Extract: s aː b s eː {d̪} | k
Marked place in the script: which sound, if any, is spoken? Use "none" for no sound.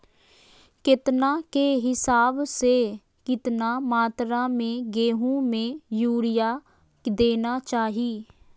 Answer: none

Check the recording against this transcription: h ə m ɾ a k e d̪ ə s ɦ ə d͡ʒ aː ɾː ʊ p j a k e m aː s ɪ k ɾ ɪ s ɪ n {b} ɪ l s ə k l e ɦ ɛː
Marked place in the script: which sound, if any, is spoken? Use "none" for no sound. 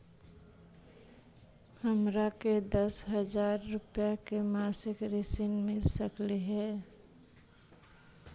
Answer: m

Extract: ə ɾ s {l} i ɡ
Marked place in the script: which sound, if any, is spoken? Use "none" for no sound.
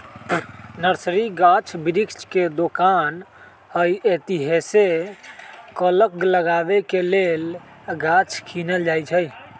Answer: ɾ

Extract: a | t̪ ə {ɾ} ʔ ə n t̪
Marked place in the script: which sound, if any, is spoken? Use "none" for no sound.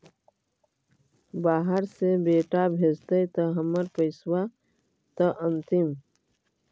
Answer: none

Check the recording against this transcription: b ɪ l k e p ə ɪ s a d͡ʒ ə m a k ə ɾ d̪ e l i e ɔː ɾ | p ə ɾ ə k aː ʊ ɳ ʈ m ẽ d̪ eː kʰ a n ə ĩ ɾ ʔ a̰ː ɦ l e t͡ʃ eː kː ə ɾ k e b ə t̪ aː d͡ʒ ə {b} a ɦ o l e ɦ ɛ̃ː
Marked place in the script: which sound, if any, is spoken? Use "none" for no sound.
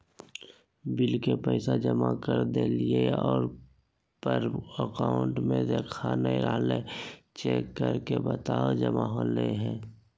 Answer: m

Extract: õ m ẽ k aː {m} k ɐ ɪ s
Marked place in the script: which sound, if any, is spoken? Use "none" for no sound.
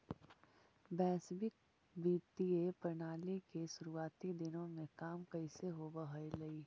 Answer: m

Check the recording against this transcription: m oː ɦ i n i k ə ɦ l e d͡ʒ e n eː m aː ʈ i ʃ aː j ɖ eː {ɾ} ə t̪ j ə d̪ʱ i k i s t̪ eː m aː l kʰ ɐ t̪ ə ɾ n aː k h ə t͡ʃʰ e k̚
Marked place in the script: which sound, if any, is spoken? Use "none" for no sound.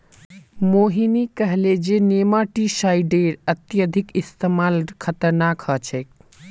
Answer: ɾ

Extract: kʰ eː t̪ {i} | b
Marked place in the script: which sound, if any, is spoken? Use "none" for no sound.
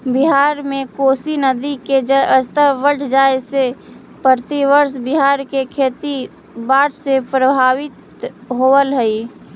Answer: i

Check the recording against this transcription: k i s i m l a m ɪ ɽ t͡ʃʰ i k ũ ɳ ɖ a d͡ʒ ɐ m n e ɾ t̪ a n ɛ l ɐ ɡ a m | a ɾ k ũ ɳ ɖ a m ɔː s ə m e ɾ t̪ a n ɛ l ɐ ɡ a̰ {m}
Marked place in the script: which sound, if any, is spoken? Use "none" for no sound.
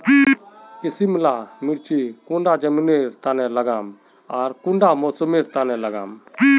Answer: m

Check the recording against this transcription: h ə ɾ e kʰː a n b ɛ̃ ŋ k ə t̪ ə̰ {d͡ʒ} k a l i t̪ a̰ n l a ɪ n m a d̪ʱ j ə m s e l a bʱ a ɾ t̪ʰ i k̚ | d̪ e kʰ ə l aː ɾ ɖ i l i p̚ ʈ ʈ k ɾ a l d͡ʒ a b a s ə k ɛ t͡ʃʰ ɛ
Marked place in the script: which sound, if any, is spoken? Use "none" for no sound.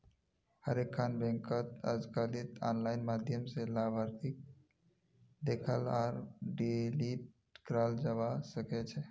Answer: d͡ʒ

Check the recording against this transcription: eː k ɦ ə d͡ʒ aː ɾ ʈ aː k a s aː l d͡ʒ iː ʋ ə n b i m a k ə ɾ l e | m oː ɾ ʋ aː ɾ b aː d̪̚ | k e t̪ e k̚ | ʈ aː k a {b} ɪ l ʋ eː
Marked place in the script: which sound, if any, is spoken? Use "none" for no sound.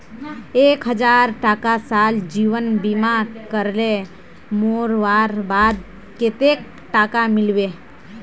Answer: m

